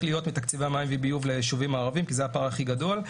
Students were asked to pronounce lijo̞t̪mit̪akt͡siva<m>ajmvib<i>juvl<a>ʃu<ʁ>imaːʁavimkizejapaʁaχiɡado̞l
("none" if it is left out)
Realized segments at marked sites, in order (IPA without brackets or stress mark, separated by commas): m, i, e, v